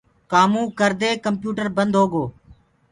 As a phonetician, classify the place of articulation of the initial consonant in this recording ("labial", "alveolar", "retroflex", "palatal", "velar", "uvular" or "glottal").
velar